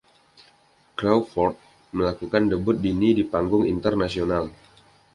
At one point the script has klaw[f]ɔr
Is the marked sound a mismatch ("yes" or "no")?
no